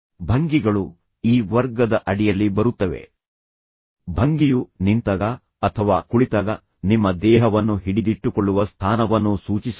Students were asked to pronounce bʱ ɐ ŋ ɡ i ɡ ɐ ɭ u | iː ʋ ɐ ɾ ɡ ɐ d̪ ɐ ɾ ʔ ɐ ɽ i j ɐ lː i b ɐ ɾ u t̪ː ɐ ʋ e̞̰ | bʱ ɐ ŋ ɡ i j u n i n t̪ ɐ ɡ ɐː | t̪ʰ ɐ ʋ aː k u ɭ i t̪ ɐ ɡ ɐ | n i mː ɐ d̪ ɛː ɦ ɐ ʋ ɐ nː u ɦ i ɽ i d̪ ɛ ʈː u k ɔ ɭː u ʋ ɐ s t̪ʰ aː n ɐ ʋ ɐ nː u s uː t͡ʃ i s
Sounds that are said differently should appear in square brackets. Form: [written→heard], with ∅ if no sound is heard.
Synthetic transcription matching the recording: bʱ ɐ ŋ ɡ i ɡ ɐ ɭ u | iː ʋ ɐ ɾ ɡ ɐ d̪ ɐ [ɾ→∅] ʔ ɐ ɽ i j ɐ lː i b ɐ ɾ u t̪ː ɐ ʋ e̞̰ | bʱ ɐ ŋ ɡ i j u n i n t̪ ɐ ɡ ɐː | t̪ʰ ɐ ʋ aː k u ɭ i t̪ ɐ ɡ ɐ | n i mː ɐ d̪ ɛː ɦ ɐ ʋ ɐ nː u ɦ i ɽ i d̪ [ɛ→i] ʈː u k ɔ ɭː u ʋ ɐ s t̪ʰ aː n ɐ ʋ ɐ nː u s uː t͡ʃ i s